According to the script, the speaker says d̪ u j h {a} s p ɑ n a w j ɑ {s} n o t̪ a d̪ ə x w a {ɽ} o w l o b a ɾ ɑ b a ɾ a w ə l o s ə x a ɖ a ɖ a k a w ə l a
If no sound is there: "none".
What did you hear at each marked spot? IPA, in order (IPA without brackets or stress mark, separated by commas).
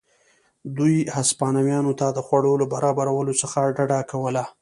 a, none, ɽ